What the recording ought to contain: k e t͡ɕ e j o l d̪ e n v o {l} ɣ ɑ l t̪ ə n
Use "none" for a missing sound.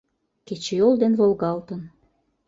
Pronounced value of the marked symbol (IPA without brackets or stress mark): l